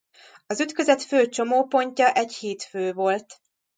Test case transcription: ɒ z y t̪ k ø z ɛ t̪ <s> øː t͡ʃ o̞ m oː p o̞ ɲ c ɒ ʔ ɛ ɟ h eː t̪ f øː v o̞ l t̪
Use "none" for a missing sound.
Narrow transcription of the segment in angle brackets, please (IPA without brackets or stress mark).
f